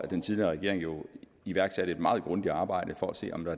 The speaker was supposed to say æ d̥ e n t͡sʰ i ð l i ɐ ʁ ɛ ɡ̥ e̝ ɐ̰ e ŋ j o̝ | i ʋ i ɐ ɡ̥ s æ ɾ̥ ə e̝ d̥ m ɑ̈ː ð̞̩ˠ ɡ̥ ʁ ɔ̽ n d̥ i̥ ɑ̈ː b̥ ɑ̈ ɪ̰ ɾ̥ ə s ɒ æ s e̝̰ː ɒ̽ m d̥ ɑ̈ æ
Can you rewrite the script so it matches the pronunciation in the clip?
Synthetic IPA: æ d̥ e n t͡sʰ i ð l i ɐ ʁ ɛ ɡ̥ e̝ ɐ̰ e ŋ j o̝ | i ʋ æ ɐ ɡ̥ s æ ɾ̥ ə e̝ d̥ m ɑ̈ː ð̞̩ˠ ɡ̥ ʁ ɔ̽ n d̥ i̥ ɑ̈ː b̥ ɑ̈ ɪ̰ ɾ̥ ə f ɒ æ s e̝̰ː ɒ̽ m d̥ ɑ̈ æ